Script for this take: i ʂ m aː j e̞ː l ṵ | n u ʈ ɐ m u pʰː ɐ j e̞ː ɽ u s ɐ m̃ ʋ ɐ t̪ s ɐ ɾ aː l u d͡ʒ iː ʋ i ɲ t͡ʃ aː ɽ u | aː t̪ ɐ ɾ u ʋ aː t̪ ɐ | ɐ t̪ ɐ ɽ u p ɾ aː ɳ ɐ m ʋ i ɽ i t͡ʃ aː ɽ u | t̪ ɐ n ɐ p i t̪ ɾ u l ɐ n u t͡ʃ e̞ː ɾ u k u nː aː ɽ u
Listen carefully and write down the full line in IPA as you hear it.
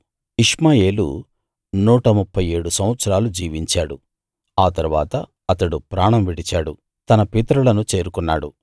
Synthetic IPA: i ʂ m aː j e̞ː l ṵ | n uː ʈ ɐ m u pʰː ɐ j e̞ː ɽ u s ɐ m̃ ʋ ɐ t̪ s ɐ ɾ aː l u d͡ʒ iː ʋ i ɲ t͡ʃ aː ɽ u | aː t̪ ɐ ɾ u ʋ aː t̪ ɐ | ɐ t̪ ɐ ɽ u p ɾ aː ɳ ɐ m ʋ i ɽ i t͡ʃ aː ɽ u | t̪ ɐ n ɐ p i t̪ ɾ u l ɐ n u t͡ʃ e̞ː ɾ u k u nː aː ɽ u